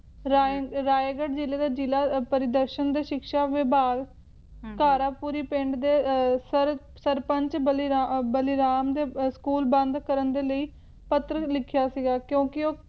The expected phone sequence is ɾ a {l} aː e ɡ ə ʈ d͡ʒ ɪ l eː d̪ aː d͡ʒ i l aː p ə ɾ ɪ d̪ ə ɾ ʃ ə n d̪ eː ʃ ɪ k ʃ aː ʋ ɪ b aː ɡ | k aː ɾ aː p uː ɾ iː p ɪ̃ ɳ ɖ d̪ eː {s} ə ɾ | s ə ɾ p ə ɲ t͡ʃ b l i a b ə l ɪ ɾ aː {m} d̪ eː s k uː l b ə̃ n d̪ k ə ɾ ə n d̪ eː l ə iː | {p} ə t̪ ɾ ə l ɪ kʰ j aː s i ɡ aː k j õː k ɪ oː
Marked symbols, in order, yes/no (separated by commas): no, yes, yes, yes